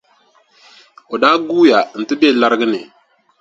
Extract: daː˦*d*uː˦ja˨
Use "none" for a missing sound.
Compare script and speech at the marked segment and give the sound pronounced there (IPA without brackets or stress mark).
ɡ